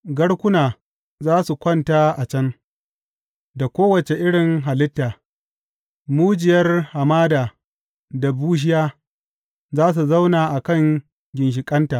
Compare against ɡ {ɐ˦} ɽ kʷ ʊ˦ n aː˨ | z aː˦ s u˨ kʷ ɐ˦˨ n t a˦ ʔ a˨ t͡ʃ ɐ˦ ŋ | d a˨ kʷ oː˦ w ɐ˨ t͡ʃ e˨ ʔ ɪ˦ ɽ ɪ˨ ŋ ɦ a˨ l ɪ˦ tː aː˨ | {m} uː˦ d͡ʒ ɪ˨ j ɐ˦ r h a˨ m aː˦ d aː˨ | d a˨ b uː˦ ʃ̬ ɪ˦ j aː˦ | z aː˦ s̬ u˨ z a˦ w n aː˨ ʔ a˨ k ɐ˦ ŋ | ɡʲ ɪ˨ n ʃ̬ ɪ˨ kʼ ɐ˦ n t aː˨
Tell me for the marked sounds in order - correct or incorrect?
correct, correct

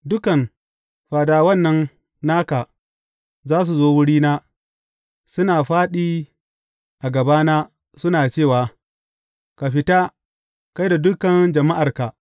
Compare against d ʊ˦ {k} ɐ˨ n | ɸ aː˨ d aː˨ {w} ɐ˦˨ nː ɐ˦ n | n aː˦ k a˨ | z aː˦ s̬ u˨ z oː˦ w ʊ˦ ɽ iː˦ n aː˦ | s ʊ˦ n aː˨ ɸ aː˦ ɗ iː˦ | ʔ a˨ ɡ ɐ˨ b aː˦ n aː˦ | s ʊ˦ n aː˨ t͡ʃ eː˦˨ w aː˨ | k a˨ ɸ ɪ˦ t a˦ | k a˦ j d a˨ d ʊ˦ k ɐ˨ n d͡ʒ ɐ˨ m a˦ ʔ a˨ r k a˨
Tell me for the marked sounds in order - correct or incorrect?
correct, correct

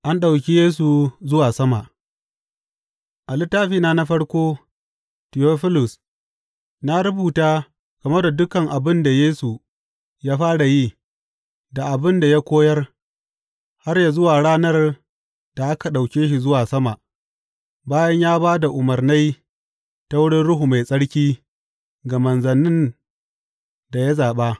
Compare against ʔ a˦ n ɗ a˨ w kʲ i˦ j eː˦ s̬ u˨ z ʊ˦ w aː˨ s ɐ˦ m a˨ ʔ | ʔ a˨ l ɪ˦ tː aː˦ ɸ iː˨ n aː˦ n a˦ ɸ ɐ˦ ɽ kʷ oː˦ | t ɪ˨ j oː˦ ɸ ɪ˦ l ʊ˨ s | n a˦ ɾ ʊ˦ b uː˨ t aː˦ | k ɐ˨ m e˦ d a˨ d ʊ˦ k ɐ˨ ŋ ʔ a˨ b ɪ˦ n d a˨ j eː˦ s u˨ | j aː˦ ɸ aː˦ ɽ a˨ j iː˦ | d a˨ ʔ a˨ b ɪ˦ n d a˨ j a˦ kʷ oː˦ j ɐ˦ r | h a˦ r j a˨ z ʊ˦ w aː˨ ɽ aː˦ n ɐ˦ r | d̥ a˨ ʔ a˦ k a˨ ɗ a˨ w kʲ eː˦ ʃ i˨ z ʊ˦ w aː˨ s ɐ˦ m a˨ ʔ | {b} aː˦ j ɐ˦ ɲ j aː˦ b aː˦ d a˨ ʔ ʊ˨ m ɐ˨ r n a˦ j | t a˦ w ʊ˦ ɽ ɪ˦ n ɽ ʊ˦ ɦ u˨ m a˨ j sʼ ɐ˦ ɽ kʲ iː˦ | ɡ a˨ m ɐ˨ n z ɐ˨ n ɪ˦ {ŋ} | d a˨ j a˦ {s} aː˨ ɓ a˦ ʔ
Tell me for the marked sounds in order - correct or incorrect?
correct, incorrect: n, incorrect: z

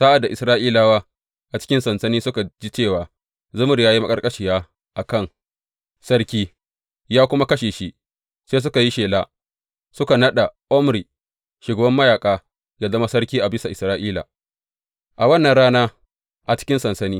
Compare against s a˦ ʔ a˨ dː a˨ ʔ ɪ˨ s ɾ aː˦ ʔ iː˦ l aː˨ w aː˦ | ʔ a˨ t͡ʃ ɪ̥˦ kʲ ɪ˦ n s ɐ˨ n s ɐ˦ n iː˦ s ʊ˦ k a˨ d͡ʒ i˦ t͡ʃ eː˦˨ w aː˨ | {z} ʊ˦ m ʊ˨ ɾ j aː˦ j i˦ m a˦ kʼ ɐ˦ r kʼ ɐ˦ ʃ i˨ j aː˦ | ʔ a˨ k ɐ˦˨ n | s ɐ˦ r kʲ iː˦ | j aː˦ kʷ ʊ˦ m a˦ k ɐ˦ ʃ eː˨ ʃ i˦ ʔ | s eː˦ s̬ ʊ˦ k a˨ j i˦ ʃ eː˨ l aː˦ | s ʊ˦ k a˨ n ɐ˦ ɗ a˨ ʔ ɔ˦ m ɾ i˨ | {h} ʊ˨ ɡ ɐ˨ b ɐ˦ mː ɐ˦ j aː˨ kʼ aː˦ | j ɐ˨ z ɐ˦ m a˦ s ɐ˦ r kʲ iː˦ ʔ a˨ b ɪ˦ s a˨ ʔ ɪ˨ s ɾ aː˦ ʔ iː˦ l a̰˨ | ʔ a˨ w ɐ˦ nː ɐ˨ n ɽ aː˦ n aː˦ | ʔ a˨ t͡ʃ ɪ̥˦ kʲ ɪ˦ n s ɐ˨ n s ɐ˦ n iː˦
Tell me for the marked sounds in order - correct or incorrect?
correct, incorrect: ʃ

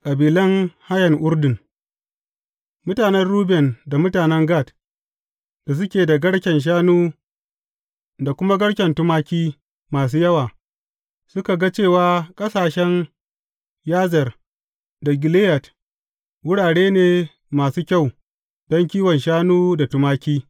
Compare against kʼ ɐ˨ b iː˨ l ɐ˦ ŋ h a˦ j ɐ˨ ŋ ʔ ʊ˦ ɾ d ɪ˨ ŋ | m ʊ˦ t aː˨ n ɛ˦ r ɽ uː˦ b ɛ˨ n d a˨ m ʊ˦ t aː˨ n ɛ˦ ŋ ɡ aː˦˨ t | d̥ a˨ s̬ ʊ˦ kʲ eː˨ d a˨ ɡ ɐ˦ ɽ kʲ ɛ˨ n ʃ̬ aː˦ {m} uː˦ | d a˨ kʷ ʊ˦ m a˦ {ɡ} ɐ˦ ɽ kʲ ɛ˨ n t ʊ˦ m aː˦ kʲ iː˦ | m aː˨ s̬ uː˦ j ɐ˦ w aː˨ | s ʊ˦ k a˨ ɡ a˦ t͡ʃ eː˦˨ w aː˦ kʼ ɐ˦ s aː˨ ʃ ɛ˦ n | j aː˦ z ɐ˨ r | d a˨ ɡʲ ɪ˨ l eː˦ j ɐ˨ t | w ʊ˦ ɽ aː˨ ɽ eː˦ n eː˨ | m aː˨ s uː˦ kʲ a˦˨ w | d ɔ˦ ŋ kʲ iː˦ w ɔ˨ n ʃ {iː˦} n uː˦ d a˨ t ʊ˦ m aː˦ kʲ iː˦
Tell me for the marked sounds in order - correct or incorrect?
incorrect: n, correct, incorrect: aː˦

